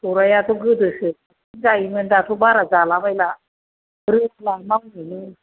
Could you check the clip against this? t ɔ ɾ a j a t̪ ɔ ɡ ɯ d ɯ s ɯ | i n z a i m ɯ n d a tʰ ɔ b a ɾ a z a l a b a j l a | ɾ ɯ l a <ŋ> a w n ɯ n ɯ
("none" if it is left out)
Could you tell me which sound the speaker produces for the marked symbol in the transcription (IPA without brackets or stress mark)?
m